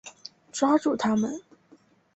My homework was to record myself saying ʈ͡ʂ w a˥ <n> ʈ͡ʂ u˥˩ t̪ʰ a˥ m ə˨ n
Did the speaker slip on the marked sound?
yes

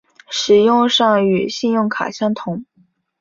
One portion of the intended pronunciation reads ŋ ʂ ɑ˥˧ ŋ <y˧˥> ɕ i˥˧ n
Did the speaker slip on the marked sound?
yes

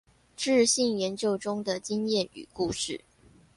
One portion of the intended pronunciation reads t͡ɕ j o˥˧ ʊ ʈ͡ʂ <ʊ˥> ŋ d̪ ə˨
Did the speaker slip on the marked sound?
no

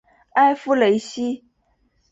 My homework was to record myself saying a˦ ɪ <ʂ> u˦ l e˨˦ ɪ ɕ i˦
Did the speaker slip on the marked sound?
yes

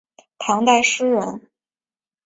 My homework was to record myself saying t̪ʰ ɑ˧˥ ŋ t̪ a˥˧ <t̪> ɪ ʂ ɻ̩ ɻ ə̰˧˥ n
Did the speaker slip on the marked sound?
yes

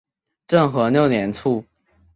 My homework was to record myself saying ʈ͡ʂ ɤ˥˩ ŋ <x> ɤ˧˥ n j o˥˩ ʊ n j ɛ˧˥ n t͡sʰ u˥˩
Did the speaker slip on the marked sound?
no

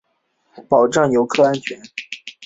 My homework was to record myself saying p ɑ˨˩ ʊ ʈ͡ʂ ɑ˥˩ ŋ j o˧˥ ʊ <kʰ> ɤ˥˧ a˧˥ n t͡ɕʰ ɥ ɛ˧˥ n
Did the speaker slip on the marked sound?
no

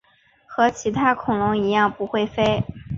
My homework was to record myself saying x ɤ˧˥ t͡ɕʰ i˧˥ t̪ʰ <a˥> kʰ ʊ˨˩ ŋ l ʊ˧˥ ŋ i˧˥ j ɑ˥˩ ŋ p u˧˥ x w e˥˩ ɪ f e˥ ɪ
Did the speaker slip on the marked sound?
no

